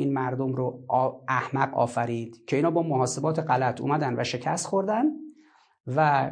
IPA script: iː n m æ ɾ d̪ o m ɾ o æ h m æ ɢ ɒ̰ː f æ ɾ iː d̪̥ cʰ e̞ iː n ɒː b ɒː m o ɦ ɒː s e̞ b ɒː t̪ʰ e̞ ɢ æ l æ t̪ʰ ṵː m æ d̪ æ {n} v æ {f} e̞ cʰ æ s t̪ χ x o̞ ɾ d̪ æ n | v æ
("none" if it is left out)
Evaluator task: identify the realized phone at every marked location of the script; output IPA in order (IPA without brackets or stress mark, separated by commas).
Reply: n, ʃ